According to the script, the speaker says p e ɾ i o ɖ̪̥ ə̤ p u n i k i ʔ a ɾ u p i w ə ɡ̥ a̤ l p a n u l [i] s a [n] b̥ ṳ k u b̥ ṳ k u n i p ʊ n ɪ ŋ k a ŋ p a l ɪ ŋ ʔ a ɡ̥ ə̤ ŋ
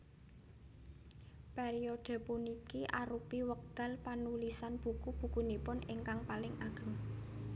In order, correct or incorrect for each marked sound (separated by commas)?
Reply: correct, correct